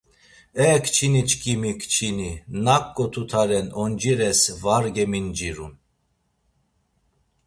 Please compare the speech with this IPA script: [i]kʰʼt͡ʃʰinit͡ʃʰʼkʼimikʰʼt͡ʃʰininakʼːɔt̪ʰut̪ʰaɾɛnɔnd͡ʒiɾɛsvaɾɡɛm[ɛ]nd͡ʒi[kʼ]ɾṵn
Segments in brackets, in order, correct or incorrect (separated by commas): incorrect, incorrect, incorrect